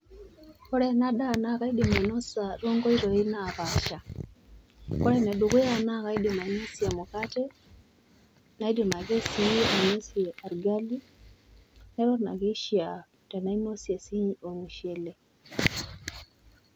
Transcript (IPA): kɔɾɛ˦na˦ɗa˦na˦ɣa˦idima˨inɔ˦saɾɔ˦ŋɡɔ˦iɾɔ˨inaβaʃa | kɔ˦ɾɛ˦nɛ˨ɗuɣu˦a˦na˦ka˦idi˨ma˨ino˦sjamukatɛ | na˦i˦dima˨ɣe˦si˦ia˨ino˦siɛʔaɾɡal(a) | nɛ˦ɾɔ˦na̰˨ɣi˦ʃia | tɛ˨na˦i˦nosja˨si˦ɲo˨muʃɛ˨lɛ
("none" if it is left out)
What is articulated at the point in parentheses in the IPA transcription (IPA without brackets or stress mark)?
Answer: i